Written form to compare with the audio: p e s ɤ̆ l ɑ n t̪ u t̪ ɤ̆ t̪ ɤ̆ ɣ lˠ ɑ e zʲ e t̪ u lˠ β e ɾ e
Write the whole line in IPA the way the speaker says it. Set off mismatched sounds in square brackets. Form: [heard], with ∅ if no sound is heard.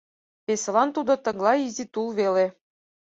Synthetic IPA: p e s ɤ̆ l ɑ n t̪ u [d̪] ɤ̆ t̪ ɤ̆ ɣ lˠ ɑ [i] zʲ [i] t̪ u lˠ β e [l] e